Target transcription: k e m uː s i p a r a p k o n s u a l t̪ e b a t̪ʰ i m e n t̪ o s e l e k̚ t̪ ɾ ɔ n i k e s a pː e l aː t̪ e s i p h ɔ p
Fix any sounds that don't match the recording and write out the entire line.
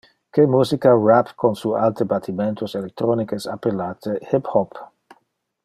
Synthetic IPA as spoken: k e m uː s i k a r a p k o n s u a l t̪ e b a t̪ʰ i m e n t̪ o s e l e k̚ t̪ ɾ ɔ n i k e s a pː e l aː t̪ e h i p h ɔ p